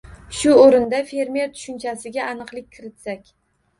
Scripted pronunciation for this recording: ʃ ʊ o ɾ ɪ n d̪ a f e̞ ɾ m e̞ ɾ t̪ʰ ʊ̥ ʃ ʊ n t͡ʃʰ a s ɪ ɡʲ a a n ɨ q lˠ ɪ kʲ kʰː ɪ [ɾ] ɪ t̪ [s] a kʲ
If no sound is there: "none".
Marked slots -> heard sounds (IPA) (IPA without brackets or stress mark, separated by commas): ɾ, s